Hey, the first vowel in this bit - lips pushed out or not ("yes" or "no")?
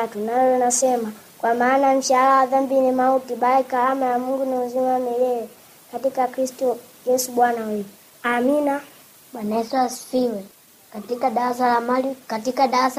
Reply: yes